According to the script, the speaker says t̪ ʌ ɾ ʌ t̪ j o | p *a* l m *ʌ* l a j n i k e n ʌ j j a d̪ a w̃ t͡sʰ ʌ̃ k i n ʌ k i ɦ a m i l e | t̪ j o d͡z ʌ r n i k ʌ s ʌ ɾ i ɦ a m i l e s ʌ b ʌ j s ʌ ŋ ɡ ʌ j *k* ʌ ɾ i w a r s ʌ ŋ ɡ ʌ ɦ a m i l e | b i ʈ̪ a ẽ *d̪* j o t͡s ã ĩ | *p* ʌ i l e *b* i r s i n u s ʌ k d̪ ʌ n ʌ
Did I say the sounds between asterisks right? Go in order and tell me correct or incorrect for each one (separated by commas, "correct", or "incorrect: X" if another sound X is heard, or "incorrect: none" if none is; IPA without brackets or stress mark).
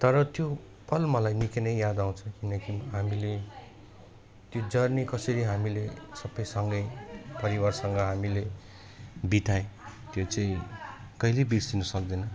incorrect: ʌ, correct, incorrect: p, incorrect: t̪, incorrect: k, correct